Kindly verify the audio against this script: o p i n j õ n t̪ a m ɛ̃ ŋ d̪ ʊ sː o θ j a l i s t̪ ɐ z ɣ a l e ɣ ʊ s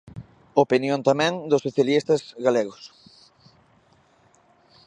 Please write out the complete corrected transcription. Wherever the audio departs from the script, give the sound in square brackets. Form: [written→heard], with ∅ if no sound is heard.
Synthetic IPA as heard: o p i n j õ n t̪ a m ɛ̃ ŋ d̪ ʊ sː o θ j a l i s t̪ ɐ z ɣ a l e ɣ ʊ s